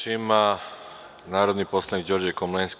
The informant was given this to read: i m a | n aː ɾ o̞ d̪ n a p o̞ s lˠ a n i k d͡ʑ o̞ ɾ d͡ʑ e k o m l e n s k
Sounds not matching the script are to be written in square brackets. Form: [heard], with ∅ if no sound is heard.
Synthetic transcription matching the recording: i m a | n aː ɾ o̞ d̪ n [i] p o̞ s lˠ a n i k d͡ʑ o̞ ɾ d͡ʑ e k o m l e n s k

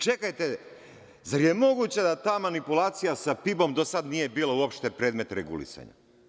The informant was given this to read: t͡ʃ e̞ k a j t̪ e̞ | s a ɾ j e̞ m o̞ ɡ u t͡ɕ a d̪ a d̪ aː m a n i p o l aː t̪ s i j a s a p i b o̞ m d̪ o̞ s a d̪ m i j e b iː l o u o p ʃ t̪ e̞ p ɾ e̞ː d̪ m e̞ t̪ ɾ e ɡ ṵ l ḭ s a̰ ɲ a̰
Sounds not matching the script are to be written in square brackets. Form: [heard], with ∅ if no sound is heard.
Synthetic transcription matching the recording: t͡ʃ e̞ k a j t̪ e̞ | [z] a ɾ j e̞ m o̞ ɡ u t͡ɕ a d̪ a [t̪] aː m a n i p [u] l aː t̪ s i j a s a p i b o̞ m d̪ o̞ s a d̪ [n] i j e b iː l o u o p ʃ t̪ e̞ p ɾ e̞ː d̪ m e̞ t̪ ɾ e ɡ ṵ l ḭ s a̰ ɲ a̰

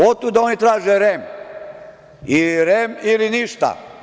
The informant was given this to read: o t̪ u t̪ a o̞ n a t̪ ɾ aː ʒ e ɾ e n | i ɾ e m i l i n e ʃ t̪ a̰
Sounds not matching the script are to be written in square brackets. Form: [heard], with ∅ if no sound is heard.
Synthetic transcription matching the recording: o t̪ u [d̪] a o̞ n [i] t̪ ɾ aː ʒ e ɾ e [m] | i ɾ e m i l i n [i] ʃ t̪ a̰

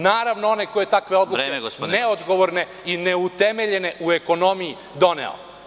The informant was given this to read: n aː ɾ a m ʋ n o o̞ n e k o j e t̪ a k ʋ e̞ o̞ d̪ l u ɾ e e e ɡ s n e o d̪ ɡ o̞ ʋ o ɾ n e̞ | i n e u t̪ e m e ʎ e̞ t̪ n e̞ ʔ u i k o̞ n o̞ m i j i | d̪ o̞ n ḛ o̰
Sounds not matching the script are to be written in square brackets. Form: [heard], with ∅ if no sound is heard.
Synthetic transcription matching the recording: n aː ɾ a [∅] ʋ n o o̞ n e k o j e t̪ a k ʋ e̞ o̞ d̪ l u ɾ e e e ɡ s n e o d̪ ɡ o̞ ʋ o ɾ n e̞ | i n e u t̪ e m e ʎ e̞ [∅] n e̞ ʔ u [e] k o̞ n o̞ m i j i | d̪ o̞ n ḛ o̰

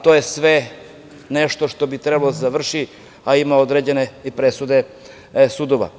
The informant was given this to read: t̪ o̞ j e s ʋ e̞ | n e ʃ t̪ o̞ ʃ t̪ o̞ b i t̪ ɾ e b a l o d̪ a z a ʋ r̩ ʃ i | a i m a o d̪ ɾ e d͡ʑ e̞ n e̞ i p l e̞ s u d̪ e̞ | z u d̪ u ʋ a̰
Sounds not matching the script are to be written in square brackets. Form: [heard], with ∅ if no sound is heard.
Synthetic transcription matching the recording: t̪ o̞ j e s ʋ e̞ | n e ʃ t̪ o̞ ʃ t̪ o̞ b i t̪ ɾ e b a l o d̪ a z a ʋ r̩ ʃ i | a i m a o d̪ ɾ e d͡ʑ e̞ n e̞ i p [ɾ] e̞ s u d̪ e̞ | [s] u d̪ [o] ʋ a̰

